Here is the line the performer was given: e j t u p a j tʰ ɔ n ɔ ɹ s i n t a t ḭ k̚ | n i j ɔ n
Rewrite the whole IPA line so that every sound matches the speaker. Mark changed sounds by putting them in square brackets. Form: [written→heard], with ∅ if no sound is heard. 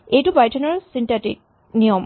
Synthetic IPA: e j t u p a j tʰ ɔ n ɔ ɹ s i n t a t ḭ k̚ | n i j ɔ [n→m]